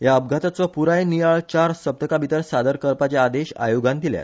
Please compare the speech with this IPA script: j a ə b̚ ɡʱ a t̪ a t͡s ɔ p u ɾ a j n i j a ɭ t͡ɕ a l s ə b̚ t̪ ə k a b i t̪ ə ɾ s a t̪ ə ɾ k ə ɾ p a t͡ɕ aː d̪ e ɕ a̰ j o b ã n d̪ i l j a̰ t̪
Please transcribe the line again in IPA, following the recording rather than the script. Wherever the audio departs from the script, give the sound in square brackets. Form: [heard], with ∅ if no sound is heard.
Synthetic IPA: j a ə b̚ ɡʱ a t̪ a t͡s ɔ p u ɾ a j n i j a ɭ t͡ɕ a [ɾ] s ə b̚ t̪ ə k a b i t̪ ə ɾ s a [d̪] ə ɾ k ə ɾ p a t͡ɕ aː d̪ e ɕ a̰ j o [ɡ] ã n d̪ i l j a̰ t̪